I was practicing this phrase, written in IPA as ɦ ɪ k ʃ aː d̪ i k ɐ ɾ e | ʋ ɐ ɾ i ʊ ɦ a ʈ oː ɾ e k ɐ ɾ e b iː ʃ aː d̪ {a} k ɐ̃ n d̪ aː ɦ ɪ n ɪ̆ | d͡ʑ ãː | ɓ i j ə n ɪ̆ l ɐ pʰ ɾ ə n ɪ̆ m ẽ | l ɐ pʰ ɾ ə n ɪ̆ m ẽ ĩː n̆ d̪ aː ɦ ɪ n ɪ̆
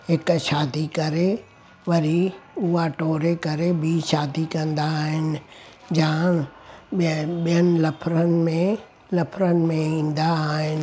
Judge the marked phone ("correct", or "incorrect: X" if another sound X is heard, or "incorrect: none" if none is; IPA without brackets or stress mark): incorrect: i